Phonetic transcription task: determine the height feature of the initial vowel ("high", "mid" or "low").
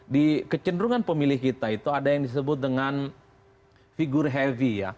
high